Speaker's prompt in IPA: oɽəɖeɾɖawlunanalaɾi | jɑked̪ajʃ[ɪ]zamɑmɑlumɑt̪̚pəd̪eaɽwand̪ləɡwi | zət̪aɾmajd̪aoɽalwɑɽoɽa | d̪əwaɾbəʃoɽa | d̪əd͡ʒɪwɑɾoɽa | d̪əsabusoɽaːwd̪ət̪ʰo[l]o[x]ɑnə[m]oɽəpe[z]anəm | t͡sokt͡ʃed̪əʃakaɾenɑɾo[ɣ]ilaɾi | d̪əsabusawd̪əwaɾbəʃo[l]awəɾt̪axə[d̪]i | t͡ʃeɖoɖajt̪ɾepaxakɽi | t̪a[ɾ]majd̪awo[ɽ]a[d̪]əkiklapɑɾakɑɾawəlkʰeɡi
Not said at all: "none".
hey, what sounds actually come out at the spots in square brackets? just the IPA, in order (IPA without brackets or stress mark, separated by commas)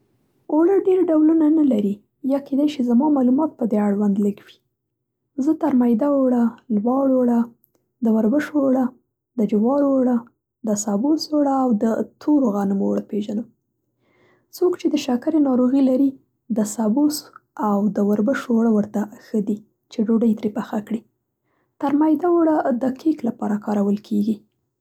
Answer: i, ɾ, ɣ, m, ʒ, ɣ, ɽ, d̪, ɾ, ɽ, d̪